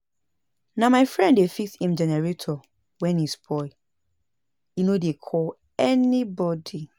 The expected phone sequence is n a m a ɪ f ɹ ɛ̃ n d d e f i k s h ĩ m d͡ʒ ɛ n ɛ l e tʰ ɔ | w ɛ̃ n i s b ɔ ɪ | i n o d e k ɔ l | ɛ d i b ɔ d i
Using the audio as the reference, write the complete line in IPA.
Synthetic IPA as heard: n a m a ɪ f ɹ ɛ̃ n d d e f i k s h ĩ m d͡ʒ ɛ n ɛ ɹ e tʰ ɔ | w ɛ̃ n i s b ɔ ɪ | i n o d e kʰ ɔ l | ɛ n i b ɔ d i